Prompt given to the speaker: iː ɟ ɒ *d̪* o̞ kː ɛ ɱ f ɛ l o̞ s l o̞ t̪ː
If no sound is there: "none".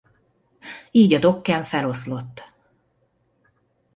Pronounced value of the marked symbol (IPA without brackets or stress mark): d̪